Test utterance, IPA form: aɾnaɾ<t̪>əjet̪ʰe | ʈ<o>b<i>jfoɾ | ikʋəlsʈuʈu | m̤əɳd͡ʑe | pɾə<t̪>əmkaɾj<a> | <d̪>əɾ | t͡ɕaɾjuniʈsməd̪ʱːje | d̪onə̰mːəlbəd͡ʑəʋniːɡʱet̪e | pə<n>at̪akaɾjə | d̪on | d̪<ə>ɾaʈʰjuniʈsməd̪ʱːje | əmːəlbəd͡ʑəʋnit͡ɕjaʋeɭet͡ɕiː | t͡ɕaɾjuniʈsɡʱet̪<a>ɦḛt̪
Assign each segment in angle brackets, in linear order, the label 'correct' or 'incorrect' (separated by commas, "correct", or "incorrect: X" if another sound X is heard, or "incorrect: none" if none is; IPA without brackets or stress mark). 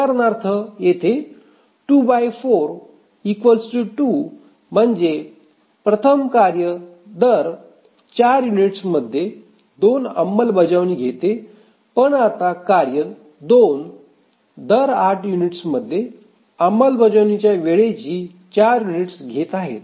incorrect: t̪ʰ, incorrect: u, incorrect: a, incorrect: t̪ʰ, incorrect: ə, correct, incorrect: ɳ, correct, correct